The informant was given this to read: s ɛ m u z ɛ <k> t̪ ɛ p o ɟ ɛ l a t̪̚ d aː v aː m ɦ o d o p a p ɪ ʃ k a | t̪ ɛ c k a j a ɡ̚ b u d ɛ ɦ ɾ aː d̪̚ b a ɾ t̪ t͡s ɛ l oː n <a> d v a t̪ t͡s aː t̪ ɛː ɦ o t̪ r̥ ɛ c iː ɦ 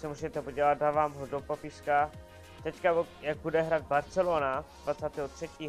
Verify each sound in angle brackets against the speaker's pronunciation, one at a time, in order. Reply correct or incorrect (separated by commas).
incorrect, correct